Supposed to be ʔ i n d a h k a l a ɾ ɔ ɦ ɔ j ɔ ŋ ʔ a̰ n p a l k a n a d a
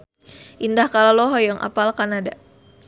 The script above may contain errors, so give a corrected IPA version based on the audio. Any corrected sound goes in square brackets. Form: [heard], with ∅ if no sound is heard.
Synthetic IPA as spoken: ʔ i n d a h k a l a [l] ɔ ɦ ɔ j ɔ ŋ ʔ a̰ [∅] p a l k a n a d a